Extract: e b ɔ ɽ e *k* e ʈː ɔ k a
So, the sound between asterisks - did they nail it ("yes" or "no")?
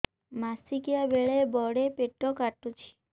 no